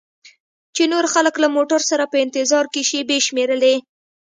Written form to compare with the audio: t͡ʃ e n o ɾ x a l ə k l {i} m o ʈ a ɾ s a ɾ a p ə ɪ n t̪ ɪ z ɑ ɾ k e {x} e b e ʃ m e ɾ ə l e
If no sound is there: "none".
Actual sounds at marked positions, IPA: a, ʃ

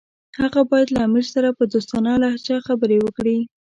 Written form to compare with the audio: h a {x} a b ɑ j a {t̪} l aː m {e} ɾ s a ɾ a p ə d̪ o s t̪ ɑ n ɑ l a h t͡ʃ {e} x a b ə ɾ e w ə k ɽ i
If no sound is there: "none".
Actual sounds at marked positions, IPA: ɣ, d̪, i, a

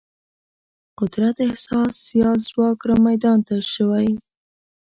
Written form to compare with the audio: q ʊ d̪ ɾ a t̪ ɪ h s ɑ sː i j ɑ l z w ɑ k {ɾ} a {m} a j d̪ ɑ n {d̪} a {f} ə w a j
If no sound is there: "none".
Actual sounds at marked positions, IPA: ɾ, m, t̪, ʃ

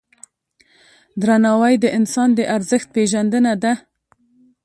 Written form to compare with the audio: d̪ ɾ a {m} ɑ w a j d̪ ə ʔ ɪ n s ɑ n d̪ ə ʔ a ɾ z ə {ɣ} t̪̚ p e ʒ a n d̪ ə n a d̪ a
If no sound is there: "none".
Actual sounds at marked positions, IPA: n, x

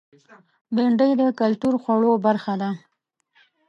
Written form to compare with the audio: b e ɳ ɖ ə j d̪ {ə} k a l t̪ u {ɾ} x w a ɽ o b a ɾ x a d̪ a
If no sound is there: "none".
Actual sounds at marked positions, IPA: ə, ɾ

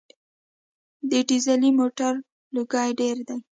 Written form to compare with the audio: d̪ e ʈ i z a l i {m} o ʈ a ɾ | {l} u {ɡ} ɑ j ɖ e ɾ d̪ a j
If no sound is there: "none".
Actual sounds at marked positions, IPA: m, l, ɡ

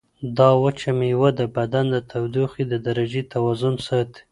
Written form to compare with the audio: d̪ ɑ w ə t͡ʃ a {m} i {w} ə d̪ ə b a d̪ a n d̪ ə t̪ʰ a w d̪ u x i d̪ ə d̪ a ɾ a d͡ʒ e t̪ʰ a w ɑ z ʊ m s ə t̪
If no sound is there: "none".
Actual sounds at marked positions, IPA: m, w

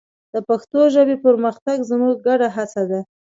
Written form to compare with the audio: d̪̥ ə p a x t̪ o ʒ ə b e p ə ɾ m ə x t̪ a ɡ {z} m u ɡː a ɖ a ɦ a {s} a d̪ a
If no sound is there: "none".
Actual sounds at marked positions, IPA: z, t͡s

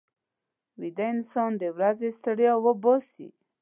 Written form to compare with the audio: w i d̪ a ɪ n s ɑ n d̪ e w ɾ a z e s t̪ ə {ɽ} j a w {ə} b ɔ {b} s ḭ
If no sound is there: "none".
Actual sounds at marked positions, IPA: ɽ, ə, none

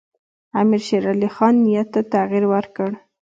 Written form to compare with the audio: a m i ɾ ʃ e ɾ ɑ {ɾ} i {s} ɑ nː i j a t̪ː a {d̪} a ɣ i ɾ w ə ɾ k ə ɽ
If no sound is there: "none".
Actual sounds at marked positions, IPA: l, x, t̪

